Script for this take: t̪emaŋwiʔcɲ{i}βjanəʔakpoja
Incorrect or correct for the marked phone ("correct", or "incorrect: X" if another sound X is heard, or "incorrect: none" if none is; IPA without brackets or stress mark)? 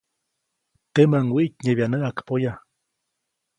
incorrect: e